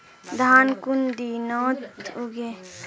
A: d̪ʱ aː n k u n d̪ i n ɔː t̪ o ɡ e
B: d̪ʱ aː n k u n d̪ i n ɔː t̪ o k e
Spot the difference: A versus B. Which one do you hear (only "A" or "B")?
A